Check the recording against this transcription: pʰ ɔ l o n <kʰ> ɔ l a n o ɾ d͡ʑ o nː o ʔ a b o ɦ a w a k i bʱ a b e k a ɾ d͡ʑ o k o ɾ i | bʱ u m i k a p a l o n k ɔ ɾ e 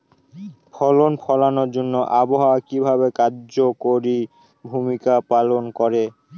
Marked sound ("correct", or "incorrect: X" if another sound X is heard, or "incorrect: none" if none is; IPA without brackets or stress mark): incorrect: pʰ